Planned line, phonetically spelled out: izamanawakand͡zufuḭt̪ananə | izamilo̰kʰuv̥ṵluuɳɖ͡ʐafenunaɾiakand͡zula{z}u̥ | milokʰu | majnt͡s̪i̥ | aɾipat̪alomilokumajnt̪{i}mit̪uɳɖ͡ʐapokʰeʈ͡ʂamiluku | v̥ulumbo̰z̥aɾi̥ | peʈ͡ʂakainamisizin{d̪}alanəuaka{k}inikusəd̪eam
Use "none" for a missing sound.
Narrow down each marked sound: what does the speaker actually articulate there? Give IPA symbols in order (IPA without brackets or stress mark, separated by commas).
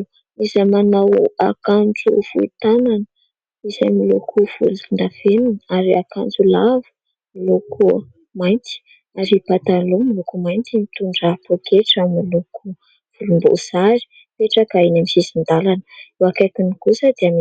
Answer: v, i, d̪, k